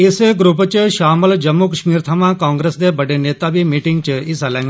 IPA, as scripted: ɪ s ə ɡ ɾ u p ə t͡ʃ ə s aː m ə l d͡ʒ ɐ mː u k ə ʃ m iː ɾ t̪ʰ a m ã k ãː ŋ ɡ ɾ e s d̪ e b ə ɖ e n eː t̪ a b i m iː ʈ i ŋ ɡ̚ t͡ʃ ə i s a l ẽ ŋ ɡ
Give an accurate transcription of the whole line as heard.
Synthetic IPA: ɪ s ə ɡ ɾ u p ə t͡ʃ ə ʃ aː m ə l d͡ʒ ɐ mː u k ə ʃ m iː ɾ t̪ʰ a m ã k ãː ŋ ɡ ɾ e s d̪ e b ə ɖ e n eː t̪ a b i m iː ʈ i ŋ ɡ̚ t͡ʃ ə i s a l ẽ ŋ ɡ